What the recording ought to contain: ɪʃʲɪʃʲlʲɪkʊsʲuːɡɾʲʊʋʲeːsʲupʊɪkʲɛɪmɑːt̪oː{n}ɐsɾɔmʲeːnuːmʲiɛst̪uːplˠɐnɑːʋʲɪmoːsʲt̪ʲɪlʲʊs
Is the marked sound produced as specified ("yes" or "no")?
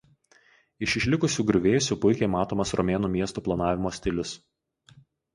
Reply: no